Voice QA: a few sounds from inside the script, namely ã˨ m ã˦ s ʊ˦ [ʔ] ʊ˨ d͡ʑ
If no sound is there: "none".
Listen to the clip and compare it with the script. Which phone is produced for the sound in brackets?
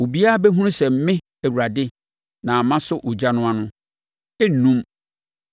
ʔ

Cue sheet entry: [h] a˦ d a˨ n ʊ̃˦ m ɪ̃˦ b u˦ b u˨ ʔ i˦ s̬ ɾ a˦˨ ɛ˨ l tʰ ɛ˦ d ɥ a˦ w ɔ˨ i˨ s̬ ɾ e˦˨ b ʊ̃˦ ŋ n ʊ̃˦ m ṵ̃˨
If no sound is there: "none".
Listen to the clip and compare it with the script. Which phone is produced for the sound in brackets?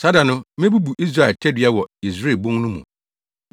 s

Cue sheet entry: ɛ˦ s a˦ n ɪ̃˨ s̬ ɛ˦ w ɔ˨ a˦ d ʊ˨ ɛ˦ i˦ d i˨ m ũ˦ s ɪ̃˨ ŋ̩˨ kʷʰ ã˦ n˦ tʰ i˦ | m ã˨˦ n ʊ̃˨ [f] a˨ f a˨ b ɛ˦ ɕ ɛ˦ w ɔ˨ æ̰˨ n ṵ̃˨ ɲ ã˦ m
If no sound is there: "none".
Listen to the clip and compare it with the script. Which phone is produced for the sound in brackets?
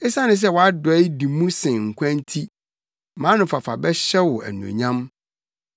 f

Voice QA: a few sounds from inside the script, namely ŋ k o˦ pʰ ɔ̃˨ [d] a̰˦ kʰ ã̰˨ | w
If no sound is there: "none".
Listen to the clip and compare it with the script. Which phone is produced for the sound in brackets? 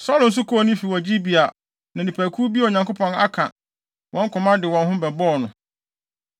n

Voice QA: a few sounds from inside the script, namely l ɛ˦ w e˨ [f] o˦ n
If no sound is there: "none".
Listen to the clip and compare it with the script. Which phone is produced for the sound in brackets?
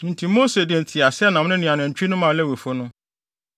f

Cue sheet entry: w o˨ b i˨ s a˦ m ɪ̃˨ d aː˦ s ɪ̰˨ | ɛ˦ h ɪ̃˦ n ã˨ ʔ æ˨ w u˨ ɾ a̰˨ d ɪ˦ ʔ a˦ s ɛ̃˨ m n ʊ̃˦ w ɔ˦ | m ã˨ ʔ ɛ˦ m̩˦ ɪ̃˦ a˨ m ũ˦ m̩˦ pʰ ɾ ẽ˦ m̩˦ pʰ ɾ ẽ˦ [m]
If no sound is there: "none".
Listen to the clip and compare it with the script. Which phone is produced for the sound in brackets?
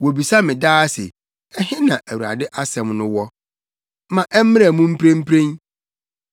n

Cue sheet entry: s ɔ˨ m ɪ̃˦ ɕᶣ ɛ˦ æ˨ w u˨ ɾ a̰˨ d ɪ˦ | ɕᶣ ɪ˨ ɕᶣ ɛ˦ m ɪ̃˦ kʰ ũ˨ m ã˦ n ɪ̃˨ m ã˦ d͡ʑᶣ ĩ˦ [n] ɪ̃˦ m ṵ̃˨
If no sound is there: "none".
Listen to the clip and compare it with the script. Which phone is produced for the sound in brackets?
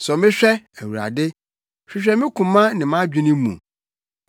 n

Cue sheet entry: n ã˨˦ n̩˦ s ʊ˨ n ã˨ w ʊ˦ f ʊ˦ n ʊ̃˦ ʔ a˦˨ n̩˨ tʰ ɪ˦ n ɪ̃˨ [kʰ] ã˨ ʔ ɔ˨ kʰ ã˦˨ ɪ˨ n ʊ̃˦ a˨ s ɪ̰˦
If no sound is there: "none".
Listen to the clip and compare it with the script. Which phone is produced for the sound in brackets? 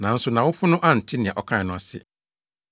none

